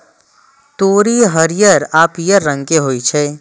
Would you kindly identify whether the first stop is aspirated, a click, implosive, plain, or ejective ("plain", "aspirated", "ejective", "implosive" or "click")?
plain